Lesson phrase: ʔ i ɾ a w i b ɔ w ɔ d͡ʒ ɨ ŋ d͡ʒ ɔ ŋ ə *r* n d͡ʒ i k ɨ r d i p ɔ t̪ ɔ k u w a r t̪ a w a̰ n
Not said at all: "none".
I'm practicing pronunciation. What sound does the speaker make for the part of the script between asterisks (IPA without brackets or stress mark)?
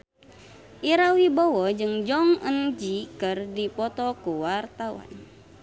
none